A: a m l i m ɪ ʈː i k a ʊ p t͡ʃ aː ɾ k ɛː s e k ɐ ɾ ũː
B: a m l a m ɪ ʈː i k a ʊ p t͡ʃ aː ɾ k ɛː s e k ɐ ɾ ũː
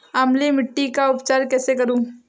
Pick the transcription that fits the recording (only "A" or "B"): A